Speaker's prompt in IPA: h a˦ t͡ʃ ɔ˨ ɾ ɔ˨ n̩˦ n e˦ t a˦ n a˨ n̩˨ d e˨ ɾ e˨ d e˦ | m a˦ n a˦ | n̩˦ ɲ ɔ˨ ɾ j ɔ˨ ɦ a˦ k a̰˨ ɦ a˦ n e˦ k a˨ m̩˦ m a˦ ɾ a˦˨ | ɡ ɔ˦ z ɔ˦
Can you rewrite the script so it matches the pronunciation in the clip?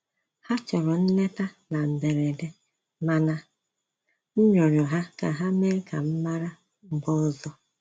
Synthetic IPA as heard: h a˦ t͡ʃ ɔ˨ ɾ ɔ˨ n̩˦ n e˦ t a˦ n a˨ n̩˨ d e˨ ɾ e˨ d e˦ | m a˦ n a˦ | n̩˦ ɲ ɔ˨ ɾ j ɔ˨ ɦ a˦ k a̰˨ ɦ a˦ m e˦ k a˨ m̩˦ m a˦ ɾ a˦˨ | ɡ͡b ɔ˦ z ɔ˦

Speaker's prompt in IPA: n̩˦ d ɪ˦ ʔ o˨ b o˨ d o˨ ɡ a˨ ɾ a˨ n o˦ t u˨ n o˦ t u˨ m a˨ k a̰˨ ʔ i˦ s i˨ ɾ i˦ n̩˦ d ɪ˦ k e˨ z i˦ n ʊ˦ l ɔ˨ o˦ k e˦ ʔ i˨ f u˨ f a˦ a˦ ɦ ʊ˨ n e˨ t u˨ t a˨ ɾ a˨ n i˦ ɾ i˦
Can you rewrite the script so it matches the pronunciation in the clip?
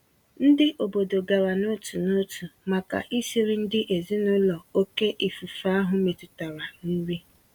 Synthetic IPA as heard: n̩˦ d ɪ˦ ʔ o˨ b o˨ d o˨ ɡ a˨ ɾ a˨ n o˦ t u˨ n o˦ t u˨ m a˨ k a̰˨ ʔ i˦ s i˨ ɾ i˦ n̩˦ d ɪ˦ ʔ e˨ z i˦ n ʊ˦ l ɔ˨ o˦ k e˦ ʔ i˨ f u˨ f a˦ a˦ ɦ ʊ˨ m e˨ t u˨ t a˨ ɾ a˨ n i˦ ɾ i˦

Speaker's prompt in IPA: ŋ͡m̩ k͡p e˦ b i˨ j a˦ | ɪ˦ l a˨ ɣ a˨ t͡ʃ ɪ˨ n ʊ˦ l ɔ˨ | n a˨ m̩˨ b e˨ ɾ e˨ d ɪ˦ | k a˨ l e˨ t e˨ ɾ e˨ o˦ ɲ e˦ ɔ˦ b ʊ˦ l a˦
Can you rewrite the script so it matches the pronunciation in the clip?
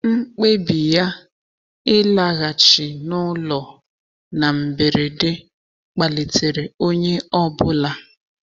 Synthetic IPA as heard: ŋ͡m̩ k͡p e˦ b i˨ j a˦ | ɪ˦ l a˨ ɣ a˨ t͡ʃ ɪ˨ n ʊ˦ l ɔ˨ | n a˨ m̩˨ b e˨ ɾ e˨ d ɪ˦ | k͡p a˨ l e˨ t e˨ ɾ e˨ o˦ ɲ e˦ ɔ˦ b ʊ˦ l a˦

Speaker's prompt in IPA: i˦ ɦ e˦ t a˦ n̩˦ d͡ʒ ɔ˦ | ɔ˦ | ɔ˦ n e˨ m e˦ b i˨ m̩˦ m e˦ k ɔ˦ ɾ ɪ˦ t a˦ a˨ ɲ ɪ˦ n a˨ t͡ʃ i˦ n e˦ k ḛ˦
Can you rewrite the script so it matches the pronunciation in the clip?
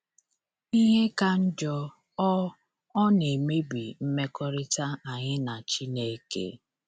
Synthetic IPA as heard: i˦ ɦ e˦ k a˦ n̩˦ d͡ʒ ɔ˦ | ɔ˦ | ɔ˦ n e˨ m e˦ b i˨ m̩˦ m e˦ k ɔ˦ ɾ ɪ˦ t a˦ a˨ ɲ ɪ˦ n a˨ t͡ʃ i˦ n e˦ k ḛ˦

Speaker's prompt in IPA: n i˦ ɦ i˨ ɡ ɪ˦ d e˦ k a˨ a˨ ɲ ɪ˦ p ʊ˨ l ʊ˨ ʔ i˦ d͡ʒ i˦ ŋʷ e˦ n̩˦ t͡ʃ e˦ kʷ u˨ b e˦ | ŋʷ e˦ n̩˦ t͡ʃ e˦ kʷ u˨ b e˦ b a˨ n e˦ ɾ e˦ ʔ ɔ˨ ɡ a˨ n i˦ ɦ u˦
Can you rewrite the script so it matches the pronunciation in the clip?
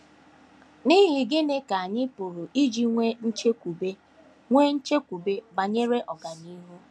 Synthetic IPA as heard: n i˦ ɦ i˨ ɡ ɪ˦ n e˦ k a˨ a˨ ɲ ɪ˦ p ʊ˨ ɾ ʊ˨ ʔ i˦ d͡ʒ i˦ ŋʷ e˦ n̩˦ t͡ʃ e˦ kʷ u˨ b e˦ | ŋʷ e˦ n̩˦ t͡ʃ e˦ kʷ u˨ b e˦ b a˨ ɲ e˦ ɾ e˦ ʔ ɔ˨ ɡ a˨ n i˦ ɦ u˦

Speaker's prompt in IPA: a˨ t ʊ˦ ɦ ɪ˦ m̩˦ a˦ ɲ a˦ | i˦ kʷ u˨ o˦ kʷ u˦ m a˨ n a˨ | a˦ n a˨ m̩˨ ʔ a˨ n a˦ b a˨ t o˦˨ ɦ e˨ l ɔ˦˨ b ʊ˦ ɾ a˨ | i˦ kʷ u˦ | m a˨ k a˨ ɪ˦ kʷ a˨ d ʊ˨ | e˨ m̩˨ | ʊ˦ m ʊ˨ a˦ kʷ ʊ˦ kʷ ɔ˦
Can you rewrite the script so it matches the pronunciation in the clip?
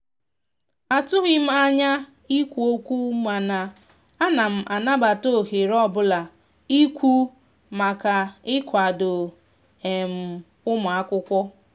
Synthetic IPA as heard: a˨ t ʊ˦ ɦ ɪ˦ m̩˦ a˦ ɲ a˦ | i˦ kʷ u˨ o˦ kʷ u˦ m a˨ n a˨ | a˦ n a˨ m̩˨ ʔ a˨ n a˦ b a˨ t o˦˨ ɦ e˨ ɾ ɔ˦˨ b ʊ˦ l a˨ | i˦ kʷ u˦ | m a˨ k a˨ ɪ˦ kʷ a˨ d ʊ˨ | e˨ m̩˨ | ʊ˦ m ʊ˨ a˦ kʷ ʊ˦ kʷ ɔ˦

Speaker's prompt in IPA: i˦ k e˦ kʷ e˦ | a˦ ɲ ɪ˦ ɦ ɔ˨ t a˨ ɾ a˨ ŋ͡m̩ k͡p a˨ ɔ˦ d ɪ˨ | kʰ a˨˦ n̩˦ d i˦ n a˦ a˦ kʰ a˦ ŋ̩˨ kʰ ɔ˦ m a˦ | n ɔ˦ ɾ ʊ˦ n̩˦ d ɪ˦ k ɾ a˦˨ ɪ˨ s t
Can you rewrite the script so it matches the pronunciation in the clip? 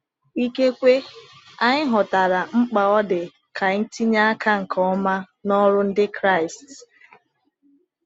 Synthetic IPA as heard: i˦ k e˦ kʷ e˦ | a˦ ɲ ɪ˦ ɦ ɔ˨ t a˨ ɾ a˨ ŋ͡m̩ k͡p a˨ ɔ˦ d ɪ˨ | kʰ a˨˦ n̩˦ t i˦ ɲ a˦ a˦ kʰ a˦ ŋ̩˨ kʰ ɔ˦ m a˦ | n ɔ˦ ɾ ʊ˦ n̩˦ d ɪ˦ k ɾ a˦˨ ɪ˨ s t

